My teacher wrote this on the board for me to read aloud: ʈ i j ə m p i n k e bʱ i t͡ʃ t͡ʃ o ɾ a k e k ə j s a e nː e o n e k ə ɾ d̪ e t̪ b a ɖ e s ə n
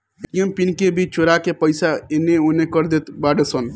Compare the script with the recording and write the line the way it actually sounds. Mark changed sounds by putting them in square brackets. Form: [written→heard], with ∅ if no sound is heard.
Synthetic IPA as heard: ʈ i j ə m p i n k e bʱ i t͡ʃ t͡ʃ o ɾ a k e [k→p] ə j s a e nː e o n e k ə ɾ d̪ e t̪ b a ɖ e s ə n